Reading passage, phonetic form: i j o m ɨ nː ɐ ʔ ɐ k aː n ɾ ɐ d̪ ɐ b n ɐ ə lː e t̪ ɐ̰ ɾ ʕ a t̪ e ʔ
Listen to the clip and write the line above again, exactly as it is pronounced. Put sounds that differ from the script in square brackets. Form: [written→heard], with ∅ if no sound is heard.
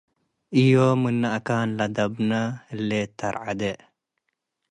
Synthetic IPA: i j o m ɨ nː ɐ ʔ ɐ k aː n [ɾ→l] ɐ d̪ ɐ b n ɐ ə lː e t̪ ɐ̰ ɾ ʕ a [t̪→d̪] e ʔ